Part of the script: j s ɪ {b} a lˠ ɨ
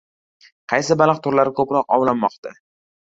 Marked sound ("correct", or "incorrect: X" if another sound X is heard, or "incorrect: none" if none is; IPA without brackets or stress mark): correct